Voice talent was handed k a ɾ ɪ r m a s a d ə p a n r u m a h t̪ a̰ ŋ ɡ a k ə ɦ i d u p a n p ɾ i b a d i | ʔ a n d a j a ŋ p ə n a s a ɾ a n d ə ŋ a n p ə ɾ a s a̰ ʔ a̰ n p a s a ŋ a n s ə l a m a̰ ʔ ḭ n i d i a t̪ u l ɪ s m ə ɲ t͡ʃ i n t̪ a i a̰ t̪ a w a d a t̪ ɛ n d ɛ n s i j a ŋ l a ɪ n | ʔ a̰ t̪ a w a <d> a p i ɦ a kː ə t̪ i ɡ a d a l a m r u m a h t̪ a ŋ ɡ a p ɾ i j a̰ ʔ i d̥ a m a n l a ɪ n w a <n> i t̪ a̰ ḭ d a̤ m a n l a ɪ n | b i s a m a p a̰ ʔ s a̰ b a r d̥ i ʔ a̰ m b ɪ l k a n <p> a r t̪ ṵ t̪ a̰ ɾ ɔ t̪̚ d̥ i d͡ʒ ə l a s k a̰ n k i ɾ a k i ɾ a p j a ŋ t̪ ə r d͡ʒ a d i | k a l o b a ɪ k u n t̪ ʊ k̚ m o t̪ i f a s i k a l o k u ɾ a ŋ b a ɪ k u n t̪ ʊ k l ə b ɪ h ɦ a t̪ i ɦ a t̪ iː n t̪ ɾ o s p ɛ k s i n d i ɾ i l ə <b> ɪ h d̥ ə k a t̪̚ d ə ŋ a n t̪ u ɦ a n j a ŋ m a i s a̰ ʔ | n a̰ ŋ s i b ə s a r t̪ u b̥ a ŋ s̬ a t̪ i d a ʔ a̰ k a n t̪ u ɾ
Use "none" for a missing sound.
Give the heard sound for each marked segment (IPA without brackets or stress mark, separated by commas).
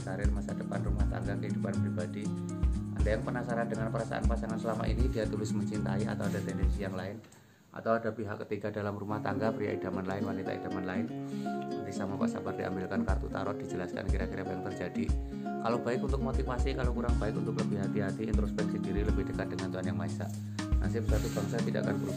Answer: d, n, k, b